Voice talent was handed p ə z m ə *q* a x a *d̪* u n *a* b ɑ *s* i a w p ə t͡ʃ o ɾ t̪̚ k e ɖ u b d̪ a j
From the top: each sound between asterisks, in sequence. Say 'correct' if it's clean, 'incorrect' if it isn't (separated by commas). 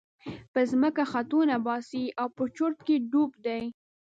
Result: incorrect, incorrect, correct, correct